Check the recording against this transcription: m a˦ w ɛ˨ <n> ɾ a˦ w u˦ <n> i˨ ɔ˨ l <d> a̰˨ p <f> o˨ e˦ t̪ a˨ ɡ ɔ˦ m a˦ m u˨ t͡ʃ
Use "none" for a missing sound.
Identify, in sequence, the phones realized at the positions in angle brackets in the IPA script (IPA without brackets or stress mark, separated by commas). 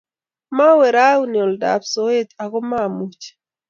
none, n, d, s